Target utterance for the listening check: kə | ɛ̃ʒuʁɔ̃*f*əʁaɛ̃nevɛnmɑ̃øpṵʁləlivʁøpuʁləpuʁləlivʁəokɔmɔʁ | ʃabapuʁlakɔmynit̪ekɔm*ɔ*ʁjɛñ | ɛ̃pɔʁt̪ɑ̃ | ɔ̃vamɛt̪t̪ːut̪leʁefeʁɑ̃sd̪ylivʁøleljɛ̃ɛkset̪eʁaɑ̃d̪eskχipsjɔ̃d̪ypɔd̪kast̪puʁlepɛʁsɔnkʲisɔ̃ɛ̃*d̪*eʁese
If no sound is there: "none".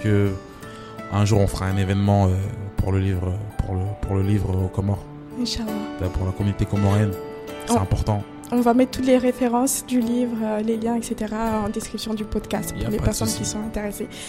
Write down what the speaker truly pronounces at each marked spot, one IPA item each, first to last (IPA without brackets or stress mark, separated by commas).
f, ɔ, t̪